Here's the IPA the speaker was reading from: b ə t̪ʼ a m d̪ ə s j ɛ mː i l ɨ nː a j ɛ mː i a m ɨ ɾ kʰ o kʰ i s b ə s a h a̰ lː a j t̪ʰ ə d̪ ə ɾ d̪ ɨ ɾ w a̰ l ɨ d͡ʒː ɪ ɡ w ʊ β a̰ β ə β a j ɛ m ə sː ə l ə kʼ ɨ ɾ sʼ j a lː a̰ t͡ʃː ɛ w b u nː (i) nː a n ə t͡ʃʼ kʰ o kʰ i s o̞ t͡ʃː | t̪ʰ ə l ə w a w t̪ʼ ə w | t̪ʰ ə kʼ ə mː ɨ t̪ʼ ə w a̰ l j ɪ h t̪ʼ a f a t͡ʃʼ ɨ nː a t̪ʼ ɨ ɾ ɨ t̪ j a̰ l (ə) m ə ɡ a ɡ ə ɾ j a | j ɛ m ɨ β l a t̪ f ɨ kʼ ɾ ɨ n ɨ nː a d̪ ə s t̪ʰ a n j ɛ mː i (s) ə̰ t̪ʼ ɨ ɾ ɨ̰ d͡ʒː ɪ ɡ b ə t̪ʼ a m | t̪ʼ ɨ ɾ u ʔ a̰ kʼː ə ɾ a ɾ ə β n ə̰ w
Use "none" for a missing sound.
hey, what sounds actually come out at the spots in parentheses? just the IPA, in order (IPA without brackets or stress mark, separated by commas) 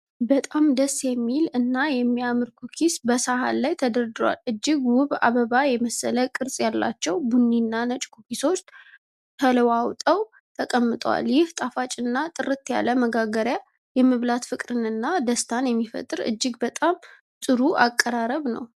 i, ə, f